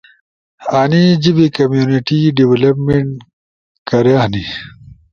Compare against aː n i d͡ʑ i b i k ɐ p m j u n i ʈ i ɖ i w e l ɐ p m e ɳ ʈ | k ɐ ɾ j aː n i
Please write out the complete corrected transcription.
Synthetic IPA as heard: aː n i d͡ʑ i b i k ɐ m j u n i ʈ i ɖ i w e l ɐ p m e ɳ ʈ | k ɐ ɾ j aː n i